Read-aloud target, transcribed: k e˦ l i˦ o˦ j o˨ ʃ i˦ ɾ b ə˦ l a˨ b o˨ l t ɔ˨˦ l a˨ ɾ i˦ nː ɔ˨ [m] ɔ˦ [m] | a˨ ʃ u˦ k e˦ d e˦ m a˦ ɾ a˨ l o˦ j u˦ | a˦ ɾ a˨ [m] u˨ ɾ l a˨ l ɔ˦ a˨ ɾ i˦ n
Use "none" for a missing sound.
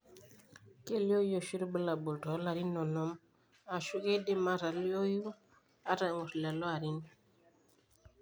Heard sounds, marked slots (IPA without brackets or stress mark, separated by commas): n, m, ŋ